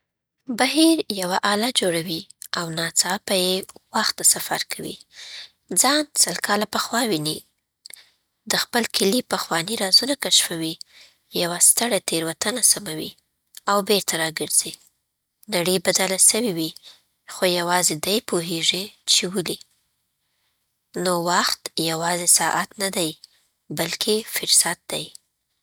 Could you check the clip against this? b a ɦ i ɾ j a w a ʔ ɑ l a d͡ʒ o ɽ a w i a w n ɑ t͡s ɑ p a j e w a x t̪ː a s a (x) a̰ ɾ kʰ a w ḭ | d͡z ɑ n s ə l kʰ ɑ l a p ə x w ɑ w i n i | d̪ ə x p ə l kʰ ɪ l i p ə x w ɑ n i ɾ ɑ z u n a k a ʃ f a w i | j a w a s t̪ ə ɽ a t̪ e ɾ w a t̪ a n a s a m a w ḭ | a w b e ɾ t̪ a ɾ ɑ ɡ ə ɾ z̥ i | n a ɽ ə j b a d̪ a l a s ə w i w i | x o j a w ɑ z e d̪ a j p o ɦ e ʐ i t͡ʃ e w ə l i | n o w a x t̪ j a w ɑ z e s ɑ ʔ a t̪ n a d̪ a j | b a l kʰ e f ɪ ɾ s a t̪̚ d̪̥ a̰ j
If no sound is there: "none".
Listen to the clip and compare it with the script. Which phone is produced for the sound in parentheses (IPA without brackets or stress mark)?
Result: f